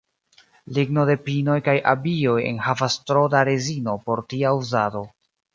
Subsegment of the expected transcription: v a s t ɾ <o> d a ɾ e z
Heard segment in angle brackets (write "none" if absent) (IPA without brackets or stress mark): o